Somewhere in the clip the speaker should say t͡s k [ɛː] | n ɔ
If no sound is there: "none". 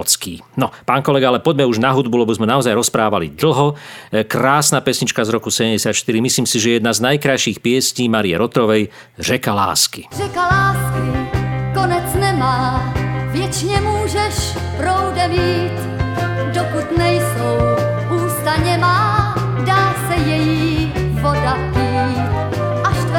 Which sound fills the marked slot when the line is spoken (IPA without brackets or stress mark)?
iː